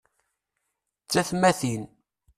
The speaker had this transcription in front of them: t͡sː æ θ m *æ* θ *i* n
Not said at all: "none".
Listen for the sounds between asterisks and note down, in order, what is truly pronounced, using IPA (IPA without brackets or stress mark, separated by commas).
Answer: æ, i